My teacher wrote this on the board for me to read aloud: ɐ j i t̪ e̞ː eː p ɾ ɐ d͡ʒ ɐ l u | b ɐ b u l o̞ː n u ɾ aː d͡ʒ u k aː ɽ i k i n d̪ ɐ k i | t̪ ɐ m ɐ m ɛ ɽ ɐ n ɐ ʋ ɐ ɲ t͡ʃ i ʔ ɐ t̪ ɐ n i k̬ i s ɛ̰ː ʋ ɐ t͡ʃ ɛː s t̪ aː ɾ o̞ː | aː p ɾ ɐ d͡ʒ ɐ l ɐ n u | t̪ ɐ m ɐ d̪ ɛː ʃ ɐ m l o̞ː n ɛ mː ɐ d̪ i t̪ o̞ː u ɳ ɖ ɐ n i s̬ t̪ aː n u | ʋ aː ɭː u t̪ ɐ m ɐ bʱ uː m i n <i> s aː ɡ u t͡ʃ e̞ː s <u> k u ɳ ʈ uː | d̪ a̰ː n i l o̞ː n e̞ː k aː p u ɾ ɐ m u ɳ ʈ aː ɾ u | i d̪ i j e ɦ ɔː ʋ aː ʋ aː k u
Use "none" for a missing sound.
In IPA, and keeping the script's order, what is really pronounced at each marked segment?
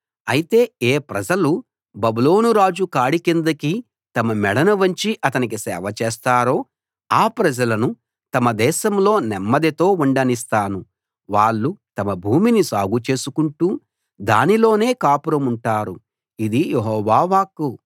i, u

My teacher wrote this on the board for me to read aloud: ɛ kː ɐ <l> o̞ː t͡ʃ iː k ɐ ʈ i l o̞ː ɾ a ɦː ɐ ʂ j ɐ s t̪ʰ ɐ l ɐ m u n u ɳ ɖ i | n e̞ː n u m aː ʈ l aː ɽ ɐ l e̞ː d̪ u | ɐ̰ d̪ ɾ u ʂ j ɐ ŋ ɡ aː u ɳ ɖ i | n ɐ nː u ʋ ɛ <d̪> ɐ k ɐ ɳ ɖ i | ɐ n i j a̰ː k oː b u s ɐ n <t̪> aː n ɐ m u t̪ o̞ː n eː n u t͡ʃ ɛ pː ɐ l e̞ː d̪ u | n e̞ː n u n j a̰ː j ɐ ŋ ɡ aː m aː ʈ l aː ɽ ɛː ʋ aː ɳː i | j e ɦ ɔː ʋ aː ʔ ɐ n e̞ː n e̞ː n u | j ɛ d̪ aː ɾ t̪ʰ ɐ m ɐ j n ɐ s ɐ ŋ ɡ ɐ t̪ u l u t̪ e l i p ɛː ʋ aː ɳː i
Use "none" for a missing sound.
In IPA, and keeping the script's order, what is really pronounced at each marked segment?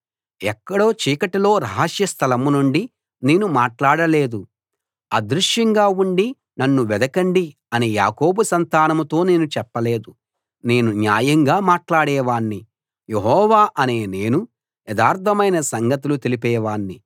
ɽ, d̪, t̪

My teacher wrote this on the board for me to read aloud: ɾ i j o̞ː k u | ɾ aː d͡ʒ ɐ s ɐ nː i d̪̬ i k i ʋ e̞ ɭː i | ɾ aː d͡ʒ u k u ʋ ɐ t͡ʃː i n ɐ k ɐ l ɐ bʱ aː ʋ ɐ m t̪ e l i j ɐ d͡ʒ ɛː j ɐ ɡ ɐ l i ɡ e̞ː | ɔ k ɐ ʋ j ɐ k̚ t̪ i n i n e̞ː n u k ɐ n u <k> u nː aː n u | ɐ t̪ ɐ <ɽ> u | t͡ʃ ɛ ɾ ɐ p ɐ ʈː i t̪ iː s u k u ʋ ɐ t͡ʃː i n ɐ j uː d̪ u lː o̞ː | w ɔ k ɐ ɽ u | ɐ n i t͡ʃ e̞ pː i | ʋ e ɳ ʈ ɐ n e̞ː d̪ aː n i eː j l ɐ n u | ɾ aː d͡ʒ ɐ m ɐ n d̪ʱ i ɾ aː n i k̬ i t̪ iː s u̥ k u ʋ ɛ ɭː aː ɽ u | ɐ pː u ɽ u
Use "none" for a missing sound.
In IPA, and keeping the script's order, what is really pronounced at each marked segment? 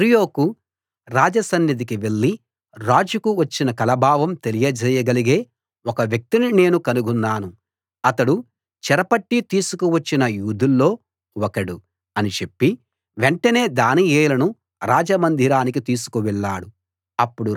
ɡ, ɽ

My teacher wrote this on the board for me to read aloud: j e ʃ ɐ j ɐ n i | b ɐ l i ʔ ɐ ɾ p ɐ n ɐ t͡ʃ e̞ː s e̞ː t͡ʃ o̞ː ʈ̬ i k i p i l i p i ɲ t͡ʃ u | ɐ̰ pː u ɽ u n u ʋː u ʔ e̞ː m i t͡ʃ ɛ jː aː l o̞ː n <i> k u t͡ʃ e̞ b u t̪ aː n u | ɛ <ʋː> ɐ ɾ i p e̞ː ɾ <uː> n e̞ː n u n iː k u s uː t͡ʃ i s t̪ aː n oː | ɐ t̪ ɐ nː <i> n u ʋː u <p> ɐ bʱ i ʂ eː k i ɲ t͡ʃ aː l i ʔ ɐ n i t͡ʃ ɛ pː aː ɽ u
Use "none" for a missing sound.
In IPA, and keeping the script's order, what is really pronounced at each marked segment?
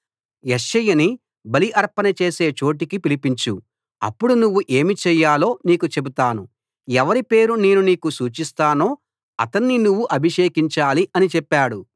iː, ʋ, u, i, ʔ

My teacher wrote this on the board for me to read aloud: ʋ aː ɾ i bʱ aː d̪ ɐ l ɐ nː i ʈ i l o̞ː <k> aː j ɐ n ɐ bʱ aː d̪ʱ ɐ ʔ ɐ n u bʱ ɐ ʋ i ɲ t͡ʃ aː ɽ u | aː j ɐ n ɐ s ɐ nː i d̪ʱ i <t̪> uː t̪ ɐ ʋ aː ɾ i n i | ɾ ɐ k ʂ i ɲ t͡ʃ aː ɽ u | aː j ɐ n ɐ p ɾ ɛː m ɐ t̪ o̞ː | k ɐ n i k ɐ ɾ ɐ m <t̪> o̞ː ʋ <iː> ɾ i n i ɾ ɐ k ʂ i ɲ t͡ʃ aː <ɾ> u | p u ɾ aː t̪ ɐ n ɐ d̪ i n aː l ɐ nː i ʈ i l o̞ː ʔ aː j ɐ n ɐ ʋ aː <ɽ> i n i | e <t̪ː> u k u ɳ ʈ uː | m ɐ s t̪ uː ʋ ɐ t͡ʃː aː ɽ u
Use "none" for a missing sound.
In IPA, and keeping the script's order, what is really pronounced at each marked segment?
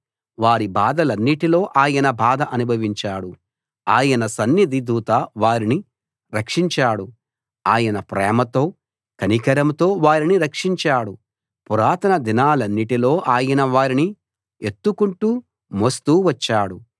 ʔ, d̪, t̪, aː, ɽ, ɾ, t̪ː

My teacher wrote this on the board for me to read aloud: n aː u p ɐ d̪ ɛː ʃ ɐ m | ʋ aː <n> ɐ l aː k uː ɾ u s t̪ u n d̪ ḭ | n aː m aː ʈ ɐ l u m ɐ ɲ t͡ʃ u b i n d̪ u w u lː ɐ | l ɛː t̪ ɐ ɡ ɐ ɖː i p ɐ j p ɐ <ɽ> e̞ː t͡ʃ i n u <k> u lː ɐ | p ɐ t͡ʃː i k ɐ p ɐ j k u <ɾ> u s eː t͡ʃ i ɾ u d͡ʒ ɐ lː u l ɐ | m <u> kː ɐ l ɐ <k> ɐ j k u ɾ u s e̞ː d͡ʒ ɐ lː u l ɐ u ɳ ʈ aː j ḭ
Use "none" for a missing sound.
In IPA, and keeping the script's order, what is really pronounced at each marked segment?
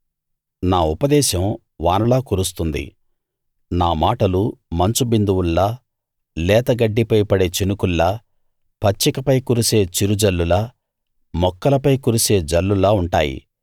n, ɽ, k, ɾ, ɔ, p

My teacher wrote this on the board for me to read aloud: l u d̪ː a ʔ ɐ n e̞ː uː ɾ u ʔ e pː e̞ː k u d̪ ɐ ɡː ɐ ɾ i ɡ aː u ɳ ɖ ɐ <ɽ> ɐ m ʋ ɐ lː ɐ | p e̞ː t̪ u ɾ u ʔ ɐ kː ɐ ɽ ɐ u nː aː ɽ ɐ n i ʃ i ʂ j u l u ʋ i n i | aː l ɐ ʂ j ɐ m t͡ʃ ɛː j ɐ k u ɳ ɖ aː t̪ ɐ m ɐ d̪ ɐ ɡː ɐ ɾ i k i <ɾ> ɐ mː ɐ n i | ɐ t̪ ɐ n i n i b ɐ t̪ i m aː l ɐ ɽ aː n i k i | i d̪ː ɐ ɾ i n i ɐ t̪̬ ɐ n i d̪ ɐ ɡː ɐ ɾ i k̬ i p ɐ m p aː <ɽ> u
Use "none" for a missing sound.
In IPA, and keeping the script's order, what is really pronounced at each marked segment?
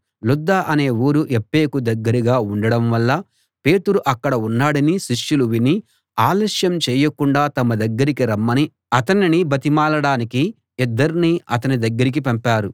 ɽ, ɾ, ɾ

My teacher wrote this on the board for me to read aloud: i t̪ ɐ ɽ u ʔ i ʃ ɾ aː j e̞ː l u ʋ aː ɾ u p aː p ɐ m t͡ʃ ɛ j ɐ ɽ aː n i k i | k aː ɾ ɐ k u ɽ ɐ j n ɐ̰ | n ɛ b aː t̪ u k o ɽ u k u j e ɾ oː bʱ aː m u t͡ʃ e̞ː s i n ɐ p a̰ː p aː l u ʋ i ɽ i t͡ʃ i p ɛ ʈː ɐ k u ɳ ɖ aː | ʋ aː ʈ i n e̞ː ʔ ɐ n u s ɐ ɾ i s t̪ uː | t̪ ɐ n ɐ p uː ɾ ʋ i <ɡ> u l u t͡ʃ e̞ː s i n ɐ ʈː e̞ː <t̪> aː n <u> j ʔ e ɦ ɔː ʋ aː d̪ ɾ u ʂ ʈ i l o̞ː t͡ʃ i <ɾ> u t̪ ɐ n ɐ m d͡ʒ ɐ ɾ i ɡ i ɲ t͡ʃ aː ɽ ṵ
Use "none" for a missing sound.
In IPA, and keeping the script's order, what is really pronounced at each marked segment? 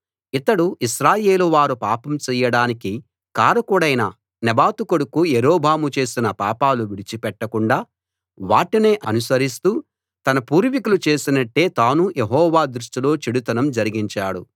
k, t̪, u, ɽ

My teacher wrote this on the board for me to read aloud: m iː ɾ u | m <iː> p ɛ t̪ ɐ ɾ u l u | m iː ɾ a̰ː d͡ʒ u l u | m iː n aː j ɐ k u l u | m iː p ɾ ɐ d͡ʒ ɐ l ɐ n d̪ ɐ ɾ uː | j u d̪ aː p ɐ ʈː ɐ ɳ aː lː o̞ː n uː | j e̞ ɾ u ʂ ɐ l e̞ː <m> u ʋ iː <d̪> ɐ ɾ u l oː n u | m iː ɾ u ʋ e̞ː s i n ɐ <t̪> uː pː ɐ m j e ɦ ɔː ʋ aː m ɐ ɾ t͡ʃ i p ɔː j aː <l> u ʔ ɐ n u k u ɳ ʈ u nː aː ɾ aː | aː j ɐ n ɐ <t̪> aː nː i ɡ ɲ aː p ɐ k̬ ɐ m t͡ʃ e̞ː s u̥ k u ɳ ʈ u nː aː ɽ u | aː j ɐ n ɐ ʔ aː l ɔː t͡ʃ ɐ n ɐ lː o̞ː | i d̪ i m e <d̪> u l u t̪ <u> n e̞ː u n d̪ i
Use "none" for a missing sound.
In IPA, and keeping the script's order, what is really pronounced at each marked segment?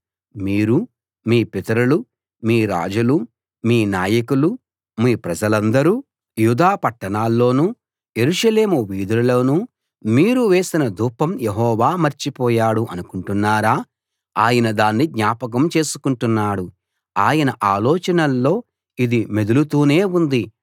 iː, m, d̪, d̪, ɽ, d̪, d̪, uː

